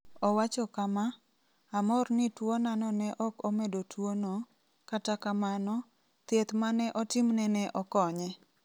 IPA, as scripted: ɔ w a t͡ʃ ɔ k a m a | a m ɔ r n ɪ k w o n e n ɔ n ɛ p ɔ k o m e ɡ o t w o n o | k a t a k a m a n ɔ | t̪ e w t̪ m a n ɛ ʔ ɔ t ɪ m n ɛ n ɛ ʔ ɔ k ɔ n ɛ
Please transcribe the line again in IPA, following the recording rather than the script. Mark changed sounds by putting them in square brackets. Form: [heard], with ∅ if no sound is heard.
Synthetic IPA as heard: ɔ w a t͡ʃ ɔ k a m a | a m ɔ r n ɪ [t] w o n [a] n ɔ n ɛ [ʔ] ɔ k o m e [d] o t w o n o | k a t a k a m a n ɔ | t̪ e [∅] t̪ m a n ɛ ʔ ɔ t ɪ m n ɛ n ɛ ʔ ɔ k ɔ [ɲ] ɛ